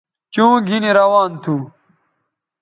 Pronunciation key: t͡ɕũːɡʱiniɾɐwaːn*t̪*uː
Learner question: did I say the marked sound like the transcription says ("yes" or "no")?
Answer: no